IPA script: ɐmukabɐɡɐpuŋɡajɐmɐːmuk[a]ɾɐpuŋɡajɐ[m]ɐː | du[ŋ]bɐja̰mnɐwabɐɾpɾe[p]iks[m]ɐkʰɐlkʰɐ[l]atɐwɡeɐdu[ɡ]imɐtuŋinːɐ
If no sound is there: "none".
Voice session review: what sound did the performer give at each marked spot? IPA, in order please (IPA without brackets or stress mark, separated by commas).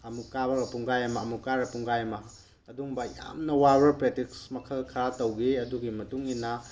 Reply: a, m, ŋ, t, m, ɾ, ɡ